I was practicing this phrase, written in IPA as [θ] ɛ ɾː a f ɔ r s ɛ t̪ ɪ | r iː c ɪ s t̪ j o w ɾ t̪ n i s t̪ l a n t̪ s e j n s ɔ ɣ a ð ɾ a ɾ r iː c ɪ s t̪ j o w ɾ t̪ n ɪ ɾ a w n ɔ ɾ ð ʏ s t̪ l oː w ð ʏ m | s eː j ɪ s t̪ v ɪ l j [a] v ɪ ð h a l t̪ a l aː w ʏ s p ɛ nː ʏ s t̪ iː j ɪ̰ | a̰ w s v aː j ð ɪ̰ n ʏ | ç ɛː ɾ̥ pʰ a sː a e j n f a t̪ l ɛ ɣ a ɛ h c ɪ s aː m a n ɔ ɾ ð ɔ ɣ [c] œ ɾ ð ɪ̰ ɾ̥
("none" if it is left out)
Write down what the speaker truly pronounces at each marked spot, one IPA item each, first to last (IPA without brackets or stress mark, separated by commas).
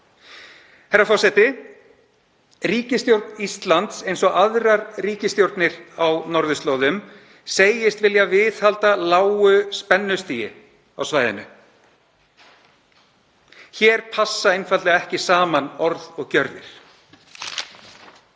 h, a, c